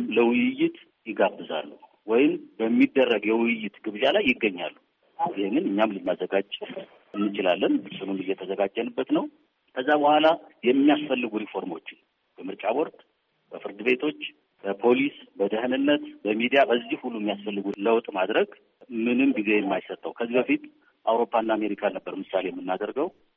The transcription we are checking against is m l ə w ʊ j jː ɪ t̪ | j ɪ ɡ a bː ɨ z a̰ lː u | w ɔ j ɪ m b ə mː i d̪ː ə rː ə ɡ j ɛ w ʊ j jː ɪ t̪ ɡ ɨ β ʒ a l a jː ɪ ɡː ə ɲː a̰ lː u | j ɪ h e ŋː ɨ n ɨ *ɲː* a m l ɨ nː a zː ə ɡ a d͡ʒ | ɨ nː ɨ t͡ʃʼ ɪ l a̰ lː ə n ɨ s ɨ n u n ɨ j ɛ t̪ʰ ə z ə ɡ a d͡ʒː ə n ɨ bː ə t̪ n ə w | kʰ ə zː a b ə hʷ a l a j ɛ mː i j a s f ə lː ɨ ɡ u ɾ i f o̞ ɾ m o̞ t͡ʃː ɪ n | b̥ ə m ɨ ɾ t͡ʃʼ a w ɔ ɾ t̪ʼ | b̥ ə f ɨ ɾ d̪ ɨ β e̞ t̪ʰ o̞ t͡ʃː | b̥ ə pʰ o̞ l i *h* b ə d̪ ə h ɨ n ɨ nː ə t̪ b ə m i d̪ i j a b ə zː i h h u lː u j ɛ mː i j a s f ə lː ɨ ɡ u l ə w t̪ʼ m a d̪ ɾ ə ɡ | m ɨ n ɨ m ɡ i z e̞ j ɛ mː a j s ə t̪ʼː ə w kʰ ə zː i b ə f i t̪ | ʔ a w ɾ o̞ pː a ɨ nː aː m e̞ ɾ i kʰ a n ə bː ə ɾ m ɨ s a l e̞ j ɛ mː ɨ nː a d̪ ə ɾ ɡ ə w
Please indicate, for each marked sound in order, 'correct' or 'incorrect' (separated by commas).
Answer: correct, incorrect